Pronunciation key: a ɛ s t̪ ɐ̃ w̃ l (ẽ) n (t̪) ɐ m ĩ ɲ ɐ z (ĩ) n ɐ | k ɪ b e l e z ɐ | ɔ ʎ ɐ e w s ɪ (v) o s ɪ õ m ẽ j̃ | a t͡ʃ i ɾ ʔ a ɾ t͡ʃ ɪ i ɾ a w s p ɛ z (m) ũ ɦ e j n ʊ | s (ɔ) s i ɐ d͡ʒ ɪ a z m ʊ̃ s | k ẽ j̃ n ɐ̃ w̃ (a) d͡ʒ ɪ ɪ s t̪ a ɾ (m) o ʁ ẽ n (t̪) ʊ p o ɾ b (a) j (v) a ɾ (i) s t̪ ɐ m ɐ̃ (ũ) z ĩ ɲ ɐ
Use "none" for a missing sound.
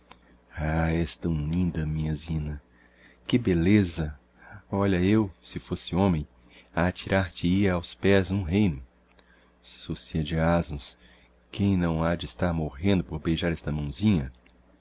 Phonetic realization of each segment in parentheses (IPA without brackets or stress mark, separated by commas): ĩ, d̪, ĩ, f, n, o, a, m, d̪, e, ʒ, ɛ, w̃